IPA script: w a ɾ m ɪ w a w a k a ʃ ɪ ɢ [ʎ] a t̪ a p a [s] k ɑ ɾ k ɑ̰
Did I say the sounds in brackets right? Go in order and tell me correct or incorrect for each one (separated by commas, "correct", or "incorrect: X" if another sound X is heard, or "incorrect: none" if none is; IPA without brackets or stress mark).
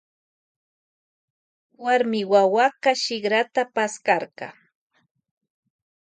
incorrect: ɾ, correct